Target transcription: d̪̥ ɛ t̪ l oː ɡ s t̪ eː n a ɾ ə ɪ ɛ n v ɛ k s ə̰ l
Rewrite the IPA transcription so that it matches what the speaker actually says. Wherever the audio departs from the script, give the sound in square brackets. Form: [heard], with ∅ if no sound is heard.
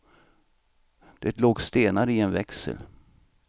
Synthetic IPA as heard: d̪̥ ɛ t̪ l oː ɡ s t̪ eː n a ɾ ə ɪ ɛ n v ɛ k s ə̰ l